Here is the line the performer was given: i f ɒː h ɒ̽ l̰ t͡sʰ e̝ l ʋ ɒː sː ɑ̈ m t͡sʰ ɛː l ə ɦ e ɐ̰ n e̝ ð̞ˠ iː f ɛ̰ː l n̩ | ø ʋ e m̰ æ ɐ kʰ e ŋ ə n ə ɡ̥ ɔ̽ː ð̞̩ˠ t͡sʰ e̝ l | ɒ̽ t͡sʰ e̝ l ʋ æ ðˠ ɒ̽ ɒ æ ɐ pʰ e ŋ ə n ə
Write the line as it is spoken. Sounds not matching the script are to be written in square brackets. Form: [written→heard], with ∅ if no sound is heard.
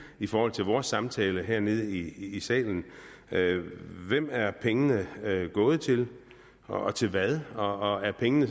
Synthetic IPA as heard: i f ɒː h ɒ̽ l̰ t͡sʰ e̝ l ʋ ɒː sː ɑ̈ m t͡sʰ ɛː l ə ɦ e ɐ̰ n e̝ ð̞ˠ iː [f→s] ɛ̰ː l n̩ | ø ʋ e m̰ æ ɐ [kʰ→pʰ] e ŋ ə n ə ɡ̥ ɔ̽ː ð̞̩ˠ t͡sʰ e̝ l | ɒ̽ t͡sʰ e̝ l ʋ æ ðˠ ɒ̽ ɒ æ ɐ pʰ e ŋ ə n ə